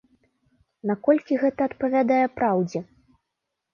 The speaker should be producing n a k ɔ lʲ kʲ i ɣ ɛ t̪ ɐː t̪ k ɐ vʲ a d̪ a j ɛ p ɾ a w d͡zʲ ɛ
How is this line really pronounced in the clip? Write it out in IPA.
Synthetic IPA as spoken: n a k ɔ lʲ kʲ i ɣ ɛ t̪ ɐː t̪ p ɐ vʲ a d̪ a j ɛ p ɾ a w d͡zʲ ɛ

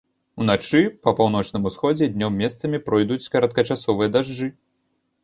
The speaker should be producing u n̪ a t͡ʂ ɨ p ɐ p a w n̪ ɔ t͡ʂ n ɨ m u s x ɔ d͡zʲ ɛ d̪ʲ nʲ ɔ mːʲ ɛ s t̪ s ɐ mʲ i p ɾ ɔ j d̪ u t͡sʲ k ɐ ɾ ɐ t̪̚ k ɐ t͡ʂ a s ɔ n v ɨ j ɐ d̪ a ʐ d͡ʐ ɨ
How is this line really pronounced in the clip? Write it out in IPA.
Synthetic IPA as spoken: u n̪ a t͡ʂ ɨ p ɐ p a w n̪ ɔ t͡ʂ n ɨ m u s x ɔ d͡zʲ ɛ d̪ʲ nʲ ɔ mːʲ ɛ s t̪ s ɐ mʲ i p ɾ ɔ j d̪ u t͡sʲ k ɐ ɾ ɐ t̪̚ k ɐ t͡ʂ a s ɔ v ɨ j ɐ d̪ a ʐ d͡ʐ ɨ

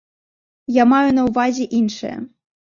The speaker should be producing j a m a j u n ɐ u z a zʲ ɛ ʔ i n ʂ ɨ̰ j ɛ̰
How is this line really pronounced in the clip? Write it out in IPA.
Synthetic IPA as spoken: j a m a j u n ɐ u v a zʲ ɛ ʔ i n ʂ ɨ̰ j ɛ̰

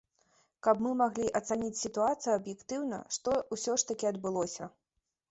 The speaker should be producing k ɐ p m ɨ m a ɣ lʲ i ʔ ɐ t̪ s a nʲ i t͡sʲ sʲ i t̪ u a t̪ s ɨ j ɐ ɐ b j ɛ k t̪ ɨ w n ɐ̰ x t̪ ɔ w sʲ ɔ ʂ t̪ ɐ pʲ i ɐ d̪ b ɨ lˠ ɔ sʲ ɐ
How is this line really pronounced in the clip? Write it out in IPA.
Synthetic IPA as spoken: k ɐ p m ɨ m a ɣ lʲ i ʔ ɐ t̪ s a nʲ i t͡sʲ sʲ i t̪ u a t̪ s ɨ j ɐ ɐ b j ɛ k t̪ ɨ w n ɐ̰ ʂ t̪ ɔ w sʲ ɔ ʂ t̪ ɐ kʲ i ɐ d̪ b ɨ lˠ ɔ sʲ ɐ

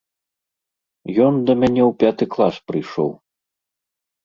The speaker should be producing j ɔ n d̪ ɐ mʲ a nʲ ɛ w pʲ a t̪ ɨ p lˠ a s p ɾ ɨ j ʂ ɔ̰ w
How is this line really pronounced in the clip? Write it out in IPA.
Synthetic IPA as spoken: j ɔ n d̪ ɐ mʲ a nʲ ɛ w pʲ a t̪ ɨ k lˠ a s p ɾ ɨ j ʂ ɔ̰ w

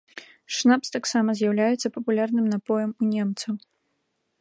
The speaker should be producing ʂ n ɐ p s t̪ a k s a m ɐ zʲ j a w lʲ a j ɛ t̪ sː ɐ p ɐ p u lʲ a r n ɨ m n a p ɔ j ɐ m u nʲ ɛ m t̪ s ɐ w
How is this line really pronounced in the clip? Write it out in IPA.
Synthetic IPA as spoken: ʂ n a p s t̪ a k s a m ɐ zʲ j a w lʲ a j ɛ t̪ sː ɐ p ɐ p u lʲ a r n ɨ m n a p ɔ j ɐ m u nʲ ɛ m t̪ s ɐ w

